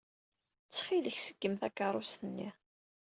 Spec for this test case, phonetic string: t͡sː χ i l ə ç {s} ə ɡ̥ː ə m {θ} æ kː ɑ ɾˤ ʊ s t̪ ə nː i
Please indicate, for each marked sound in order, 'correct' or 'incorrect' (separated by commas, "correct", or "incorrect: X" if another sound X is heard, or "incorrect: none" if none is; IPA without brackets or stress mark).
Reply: correct, correct